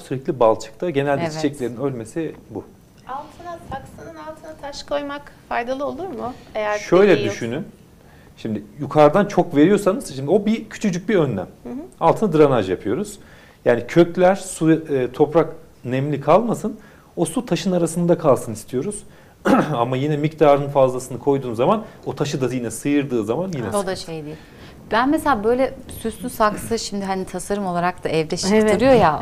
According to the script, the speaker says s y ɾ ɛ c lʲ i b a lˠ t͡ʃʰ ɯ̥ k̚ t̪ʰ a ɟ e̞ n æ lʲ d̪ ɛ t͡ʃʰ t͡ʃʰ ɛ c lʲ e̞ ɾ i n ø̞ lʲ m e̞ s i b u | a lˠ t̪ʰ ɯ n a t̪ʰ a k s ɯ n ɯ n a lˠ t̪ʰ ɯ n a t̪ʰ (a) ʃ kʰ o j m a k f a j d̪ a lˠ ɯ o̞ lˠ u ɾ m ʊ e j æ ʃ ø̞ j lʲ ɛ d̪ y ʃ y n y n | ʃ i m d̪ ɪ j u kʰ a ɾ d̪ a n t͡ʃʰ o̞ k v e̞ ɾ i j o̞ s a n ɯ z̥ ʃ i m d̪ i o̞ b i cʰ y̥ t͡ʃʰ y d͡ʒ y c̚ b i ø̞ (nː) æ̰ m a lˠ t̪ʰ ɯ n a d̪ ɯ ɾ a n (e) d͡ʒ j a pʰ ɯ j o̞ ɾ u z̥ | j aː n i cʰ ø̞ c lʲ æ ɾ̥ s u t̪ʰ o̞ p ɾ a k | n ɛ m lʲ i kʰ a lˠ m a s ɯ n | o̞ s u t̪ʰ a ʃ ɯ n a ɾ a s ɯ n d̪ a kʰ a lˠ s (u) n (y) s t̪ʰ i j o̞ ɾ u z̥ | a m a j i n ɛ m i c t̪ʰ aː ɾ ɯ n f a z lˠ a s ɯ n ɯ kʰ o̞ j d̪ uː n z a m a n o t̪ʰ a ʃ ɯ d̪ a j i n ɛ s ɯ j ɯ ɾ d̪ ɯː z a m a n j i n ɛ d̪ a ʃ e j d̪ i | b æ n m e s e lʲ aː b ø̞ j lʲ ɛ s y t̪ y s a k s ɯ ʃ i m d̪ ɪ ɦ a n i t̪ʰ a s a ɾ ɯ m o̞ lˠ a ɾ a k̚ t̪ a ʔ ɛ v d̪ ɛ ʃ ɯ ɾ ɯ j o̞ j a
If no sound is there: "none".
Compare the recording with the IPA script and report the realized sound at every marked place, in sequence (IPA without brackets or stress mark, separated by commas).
a, nː, a, ɯ, i